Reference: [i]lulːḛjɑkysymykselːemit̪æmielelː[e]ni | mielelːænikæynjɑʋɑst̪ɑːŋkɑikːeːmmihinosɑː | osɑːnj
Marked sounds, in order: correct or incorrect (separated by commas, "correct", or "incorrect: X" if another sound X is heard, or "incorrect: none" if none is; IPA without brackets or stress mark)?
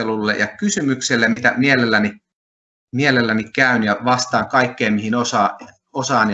incorrect: e, incorrect: æ